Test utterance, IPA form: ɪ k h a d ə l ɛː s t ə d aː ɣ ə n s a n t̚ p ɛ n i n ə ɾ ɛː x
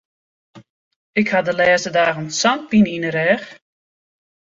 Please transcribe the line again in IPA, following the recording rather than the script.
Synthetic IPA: ɪ k h a d ə l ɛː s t ə d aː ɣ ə n s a n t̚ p i n i n ə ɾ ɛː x